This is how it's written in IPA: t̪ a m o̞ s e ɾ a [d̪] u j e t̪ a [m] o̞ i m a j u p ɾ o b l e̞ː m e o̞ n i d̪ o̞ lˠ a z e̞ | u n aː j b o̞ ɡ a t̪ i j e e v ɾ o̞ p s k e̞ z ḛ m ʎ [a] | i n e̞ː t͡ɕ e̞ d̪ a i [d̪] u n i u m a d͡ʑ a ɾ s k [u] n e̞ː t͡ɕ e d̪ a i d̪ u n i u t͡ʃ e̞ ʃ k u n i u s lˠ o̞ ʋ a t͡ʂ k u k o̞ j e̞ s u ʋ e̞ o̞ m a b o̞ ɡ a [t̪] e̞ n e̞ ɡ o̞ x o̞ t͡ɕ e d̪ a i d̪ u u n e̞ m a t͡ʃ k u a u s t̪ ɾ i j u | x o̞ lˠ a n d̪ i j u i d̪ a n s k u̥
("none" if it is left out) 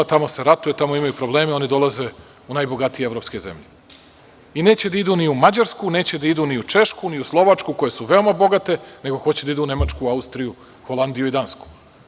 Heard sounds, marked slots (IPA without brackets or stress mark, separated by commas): t̪, m, e, d̪, u, t̪